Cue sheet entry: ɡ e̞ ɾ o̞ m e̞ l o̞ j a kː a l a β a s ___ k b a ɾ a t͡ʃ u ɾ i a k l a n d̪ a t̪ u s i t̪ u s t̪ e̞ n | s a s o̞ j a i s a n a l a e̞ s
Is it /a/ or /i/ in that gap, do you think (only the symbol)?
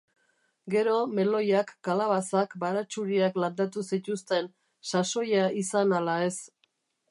a